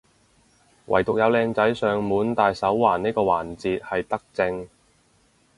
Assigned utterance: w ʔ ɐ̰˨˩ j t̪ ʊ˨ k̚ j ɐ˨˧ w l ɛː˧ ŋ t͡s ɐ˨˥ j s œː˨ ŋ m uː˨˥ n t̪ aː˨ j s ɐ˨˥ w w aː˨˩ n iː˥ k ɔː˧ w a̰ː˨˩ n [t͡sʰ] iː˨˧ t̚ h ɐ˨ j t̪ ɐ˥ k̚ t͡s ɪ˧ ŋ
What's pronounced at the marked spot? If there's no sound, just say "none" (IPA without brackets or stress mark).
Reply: t͡s